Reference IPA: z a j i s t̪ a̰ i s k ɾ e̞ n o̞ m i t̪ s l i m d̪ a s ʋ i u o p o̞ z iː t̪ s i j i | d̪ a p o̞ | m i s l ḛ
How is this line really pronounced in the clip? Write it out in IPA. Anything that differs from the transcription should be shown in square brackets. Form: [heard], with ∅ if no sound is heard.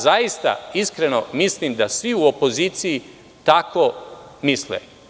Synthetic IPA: z a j i s t̪ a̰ i s k ɾ e̞ n o̞ m i [∅] s l i m d̪ a s ʋ i u o p o̞ z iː t̪ s i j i | [t̪] a [k] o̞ | m i s l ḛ